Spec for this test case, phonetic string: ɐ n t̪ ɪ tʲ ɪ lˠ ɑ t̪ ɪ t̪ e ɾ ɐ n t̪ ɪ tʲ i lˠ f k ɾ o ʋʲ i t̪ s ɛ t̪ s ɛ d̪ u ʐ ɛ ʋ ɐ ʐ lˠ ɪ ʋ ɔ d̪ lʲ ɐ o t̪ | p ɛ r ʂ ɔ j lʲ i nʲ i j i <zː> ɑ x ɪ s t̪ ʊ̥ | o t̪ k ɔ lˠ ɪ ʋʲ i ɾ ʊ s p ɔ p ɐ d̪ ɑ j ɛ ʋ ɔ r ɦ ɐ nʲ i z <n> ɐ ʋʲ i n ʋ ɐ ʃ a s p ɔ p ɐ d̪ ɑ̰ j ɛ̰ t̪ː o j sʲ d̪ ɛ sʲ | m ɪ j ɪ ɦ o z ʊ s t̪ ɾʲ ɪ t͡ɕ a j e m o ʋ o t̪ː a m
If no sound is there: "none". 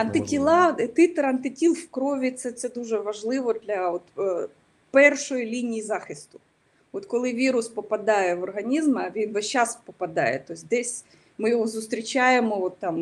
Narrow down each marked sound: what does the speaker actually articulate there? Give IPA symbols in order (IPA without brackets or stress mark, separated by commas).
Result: z, m